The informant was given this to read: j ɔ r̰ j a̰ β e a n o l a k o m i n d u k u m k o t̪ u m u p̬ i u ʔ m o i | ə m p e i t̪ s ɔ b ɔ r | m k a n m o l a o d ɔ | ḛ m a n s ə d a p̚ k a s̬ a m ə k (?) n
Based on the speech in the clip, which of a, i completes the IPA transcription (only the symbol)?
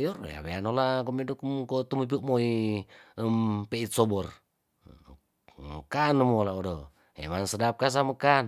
a